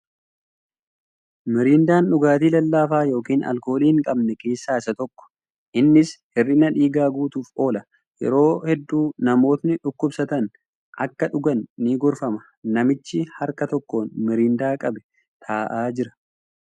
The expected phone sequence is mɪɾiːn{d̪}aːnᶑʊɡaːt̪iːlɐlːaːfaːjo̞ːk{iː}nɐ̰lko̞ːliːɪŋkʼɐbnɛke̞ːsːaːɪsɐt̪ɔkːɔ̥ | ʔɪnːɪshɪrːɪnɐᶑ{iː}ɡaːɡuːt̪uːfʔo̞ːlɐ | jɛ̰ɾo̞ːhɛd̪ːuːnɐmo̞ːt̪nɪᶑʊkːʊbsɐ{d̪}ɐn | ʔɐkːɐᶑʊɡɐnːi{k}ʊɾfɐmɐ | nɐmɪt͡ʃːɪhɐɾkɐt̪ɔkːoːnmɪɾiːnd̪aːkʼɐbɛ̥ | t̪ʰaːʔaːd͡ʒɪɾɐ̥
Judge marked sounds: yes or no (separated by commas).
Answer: yes, yes, yes, no, no